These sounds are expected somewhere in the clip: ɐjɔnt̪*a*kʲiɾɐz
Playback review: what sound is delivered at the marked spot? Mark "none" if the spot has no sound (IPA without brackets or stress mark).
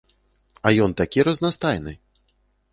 a